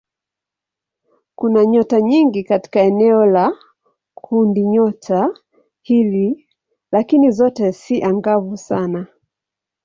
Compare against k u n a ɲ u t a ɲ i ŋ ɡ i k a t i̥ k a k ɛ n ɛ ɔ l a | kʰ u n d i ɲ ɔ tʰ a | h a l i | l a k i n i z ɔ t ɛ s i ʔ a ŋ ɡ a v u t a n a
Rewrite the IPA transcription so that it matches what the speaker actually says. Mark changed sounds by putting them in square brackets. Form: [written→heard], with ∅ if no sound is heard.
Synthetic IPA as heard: k u n a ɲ [u→ɔ] t a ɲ i ŋ ɡ i k a t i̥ k a [k→∅] ɛ n ɛ ɔ l a | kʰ u n d i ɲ ɔ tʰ a | h [a→i] l i | l a k i n i z ɔ t ɛ s i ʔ a ŋ ɡ a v u [t→s] a n a